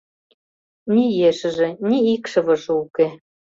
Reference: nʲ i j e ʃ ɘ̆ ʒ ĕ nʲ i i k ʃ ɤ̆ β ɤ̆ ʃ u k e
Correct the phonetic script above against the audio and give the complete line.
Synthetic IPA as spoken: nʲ i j e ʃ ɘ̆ ʒ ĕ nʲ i i k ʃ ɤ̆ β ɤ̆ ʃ u k e